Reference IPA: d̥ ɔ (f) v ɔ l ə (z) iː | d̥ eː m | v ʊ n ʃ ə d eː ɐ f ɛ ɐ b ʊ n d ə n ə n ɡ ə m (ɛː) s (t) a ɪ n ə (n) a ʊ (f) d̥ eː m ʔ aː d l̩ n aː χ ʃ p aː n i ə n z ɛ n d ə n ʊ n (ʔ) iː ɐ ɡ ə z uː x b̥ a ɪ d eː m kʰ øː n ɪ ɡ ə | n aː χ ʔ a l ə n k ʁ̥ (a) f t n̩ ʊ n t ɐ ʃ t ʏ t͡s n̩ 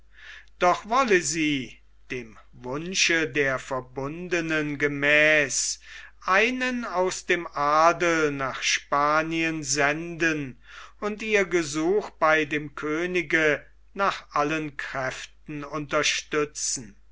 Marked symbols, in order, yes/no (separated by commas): no, yes, yes, no, yes, no, no, no